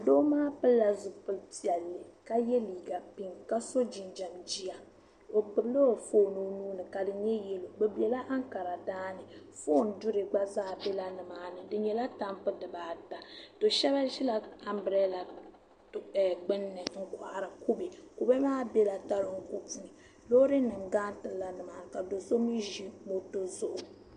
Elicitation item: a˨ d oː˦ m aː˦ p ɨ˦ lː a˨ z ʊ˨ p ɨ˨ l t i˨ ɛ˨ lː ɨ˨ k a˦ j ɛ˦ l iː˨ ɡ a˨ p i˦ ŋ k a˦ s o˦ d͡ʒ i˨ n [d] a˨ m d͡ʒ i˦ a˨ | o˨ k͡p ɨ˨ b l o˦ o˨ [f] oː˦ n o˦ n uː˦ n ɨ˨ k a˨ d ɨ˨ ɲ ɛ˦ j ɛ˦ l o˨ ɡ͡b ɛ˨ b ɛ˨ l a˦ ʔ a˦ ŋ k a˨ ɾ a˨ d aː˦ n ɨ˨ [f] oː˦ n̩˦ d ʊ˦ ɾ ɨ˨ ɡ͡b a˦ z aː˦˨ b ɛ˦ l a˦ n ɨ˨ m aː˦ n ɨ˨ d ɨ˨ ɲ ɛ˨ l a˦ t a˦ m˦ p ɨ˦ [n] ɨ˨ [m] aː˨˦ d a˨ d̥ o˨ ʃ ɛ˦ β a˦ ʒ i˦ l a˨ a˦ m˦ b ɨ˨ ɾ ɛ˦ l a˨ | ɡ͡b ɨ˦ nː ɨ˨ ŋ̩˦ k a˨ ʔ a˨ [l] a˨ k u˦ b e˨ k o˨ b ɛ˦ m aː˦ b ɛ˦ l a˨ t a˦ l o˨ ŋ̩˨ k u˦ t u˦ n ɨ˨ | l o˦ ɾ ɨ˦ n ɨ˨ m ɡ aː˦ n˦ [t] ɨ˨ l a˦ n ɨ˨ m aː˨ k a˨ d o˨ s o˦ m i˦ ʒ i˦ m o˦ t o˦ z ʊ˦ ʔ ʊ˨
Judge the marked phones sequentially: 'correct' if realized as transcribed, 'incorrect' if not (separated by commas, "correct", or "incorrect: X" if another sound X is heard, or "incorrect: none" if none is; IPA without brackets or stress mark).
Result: incorrect: d͡ʒ, correct, correct, incorrect: d, incorrect: b, incorrect: ɾ, correct